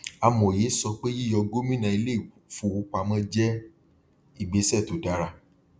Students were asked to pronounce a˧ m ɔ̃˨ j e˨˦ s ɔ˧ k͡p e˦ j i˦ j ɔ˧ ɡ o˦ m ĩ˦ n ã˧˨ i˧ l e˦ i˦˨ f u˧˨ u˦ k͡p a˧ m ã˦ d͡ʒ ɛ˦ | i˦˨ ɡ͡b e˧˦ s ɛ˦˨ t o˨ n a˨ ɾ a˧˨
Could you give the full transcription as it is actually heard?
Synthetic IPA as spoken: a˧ m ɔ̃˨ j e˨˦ s ɔ˧ k͡p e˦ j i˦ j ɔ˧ ɡ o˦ m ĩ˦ n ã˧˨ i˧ l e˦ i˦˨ f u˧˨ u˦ k͡p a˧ m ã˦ d͡ʒ ɛ˦ | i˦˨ ɡ͡b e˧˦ s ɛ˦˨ t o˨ d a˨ ɾ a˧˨